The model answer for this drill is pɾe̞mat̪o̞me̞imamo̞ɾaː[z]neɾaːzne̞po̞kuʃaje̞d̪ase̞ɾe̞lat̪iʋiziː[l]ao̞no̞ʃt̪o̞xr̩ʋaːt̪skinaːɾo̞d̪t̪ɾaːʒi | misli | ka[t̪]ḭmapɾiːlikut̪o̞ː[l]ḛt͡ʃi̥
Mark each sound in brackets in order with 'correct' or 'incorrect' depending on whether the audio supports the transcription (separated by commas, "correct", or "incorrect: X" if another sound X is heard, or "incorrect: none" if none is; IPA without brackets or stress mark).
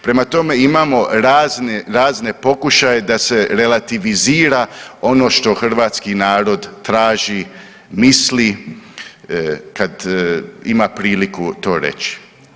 correct, incorrect: ɾ, incorrect: d̪, incorrect: ɾ